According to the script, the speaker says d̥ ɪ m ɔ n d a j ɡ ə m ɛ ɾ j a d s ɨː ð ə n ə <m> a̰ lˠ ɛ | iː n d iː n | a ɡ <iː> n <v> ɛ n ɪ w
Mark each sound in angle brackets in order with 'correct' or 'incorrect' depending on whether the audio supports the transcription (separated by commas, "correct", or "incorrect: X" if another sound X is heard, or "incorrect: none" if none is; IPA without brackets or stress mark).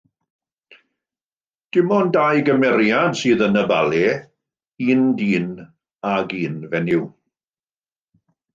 incorrect: b, correct, correct